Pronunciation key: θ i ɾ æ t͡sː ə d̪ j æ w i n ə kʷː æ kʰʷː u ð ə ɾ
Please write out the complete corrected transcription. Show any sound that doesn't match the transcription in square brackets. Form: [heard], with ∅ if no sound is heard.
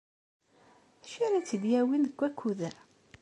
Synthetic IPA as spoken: [ʃ] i ɾ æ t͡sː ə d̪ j æ w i n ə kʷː æ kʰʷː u ð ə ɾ